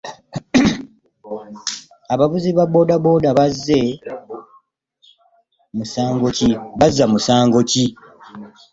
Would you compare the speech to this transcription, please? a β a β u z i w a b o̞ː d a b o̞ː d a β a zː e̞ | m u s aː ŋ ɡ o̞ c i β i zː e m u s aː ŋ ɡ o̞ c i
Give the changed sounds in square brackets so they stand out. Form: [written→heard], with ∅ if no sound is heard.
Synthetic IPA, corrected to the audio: a β a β u z i [w→β] a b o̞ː d a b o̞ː d a β a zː e̞ | m u s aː ŋ ɡ o̞ c i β [i→a] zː [e→a] m u s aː ŋ ɡ o̞ c i

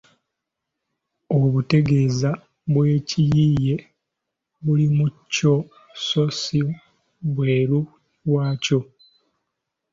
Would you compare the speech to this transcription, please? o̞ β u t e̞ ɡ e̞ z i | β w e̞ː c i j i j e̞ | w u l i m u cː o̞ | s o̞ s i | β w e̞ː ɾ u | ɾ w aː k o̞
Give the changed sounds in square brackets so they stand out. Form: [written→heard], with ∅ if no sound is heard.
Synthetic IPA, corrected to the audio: o̞ β u t e̞ ɡ e̞ z [i→a] | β w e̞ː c i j i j e̞ | [w→β] u l i m u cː o̞ | s o̞ s i | β w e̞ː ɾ u | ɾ w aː [k→c] o̞

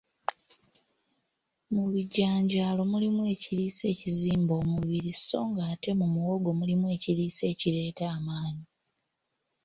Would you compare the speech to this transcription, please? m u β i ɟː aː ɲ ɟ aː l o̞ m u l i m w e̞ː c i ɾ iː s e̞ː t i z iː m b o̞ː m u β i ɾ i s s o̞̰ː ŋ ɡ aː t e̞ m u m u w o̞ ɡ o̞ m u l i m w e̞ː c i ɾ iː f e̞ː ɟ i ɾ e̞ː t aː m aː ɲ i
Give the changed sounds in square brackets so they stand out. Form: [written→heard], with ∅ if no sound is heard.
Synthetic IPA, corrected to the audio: m u β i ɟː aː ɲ ɟ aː l o̞ m u l i m w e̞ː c i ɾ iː s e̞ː [t→c] i z iː m b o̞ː m u β i ɾ i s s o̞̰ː ŋ ɡ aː t e̞ m u m u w o̞ ɡ o̞ m u l i m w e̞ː c i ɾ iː [f→s] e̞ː [ɟ→c] i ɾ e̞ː t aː m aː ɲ i

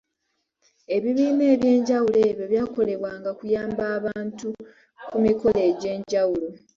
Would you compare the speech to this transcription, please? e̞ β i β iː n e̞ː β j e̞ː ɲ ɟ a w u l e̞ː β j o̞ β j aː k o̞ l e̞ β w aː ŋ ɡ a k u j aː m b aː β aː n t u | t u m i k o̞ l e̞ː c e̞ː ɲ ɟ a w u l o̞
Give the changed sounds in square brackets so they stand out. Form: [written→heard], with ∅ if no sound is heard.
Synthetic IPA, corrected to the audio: e̞ β i β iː n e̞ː β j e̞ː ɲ ɟ a w u l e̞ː β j o̞ β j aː k o̞ l e̞ β w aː ŋ ɡ a k u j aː m b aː β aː n t u | [t→k] u m i k o̞ l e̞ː [c→ɟ] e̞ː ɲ ɟ a w u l o̞

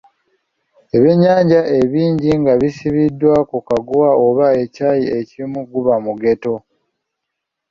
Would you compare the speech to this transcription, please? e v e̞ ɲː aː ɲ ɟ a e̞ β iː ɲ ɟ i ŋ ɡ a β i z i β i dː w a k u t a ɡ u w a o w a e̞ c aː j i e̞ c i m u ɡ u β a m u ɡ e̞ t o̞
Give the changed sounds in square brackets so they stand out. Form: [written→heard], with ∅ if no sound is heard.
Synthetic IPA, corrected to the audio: e [v→β] e̞ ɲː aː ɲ ɟ a e̞ β iː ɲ ɟ i ŋ ɡ a β i [z→s] i β i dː w a k u [t→k] a ɡ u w a o [w→β] a e̞ c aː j i e̞ c i m u ɡ u β a m u ɡ e̞ t o̞

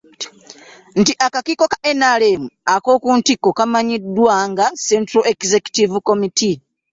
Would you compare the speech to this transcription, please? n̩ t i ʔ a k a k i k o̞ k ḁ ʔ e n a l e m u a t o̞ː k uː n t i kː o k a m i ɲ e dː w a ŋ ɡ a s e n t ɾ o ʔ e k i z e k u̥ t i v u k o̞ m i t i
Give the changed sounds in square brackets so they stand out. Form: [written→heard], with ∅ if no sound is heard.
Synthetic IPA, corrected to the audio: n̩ t i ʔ a k a k i k o̞ k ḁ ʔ e n a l e m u a [t→k] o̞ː k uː n t i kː o k a m [i→a] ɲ [e→i] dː w a ŋ ɡ a s e n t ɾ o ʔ e k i z e k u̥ t i v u k o̞ m i t i

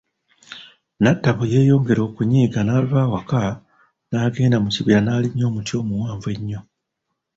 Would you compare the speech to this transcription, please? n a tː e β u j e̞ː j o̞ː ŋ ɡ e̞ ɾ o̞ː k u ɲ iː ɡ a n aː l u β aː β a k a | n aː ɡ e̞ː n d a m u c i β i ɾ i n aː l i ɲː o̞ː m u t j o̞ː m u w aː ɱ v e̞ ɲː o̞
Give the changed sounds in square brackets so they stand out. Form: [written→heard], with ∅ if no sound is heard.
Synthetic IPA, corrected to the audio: n a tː [e→a] β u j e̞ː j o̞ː ŋ ɡ e̞ ɾ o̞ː k u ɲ iː ɡ a n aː l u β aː [β→w] a k a | n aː ɡ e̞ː n d a m u c i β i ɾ [i→a] n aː l i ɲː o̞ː m u t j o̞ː m u w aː ɱ v e̞ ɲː o̞

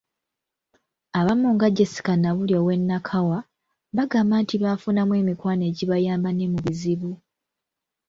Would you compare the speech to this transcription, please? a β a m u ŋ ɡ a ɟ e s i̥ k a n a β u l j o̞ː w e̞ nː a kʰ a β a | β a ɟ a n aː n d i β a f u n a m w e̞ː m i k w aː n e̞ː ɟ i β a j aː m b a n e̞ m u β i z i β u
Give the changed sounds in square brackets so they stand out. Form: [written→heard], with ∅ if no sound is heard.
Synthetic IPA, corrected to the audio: a β a m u ŋ ɡ a ɟ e s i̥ k a n a β u l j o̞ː w e̞ nː a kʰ a [β→w] a | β a [ɟ→ɡ] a [n→m] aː n [d→t] i β a f u n a m w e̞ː m i k w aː n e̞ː ɟ i β a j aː m b a n e̞ m u β i z i β u

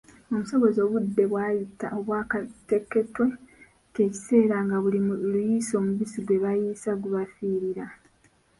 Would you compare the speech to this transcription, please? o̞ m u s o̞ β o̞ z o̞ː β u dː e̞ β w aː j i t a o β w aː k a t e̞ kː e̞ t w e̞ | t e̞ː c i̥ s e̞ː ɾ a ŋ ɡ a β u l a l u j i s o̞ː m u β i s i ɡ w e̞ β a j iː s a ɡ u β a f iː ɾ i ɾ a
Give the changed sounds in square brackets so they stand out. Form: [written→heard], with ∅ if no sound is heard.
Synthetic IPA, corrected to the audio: o̞ m u s o̞ β o̞ z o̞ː β u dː e̞ β w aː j i t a o β w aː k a t e̞ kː e̞ t w e̞ | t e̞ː c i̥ s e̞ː ɾ a ŋ ɡ a β u l [a→i] l u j i s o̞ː m u β i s i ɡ w e̞ β a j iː s a ɡ u β a f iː ɾ i ɾ a

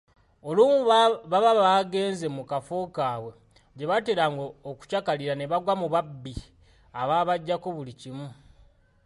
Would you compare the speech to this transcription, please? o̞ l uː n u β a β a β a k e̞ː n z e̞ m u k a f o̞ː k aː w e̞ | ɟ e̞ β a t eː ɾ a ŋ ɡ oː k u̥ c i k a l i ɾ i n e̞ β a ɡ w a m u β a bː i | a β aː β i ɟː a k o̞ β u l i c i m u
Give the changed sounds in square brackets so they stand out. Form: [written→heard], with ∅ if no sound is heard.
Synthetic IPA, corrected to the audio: o̞ l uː [n→m] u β a β a β a [k→ɡ] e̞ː n z e̞ m u k a f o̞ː k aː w e̞ | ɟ e̞ β a t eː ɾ a ŋ ɡ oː k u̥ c [i→a] k a l i ɾ [i→a] n e̞ β a ɡ w a m u β a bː i | a β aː β [i→a] ɟː a k o̞ β u l i c i m u

